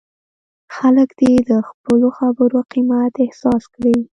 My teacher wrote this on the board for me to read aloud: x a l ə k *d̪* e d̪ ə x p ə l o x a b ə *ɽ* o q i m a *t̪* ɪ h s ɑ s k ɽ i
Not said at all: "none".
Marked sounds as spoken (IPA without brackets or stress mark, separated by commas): d̪, ɾ, t̪